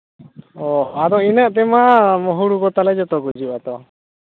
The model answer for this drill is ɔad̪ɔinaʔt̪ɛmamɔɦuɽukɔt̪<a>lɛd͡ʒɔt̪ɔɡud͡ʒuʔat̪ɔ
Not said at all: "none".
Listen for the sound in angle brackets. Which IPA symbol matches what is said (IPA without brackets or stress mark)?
a